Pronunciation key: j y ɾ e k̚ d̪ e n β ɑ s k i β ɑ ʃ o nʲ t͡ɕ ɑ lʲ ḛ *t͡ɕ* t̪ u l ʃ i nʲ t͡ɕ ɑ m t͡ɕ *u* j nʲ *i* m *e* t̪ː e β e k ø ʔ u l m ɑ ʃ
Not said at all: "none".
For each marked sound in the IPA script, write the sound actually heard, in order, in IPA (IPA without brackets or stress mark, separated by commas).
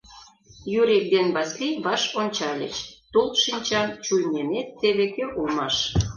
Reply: t͡ɕ, u, e, e